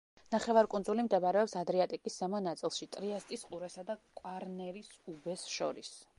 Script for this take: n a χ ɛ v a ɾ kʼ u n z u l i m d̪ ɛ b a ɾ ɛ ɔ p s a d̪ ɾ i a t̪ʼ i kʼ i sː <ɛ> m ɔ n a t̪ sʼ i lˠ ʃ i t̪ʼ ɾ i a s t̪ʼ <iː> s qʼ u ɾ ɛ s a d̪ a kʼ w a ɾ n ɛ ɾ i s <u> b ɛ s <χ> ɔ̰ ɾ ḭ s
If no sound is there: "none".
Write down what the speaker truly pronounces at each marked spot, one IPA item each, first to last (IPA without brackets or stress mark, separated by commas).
ɛ, i, u, ʃ